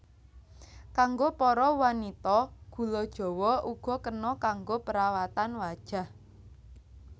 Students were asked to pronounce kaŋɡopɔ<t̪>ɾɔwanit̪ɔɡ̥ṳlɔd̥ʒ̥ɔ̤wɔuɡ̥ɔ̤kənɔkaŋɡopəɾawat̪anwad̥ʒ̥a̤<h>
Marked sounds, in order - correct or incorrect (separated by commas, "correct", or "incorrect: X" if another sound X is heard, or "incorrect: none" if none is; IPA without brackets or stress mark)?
incorrect: none, correct